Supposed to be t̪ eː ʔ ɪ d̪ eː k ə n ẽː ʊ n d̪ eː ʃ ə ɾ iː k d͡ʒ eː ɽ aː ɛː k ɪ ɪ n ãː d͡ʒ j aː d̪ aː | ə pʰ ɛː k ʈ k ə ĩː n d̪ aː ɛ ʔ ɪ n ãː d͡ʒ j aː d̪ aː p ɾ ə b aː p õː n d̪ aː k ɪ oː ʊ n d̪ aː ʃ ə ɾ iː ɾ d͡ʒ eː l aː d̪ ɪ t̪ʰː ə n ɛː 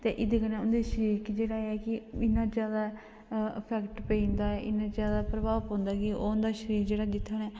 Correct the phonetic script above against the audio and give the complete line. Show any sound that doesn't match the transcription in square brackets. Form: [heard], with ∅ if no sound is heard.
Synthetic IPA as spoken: t̪ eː ʔ ɪ d̪ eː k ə n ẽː ʊ n d̪ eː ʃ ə ɾ iː k d͡ʒ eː ɽ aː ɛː k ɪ ɪ n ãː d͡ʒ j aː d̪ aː | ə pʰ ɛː k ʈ [p] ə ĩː n d̪ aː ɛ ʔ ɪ n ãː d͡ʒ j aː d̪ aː p ɾ ə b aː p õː n d̪ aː k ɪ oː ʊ n d̪ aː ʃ ə ɾ iː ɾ d͡ʒ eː [ɽ] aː d̪ ɪ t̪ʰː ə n ɛː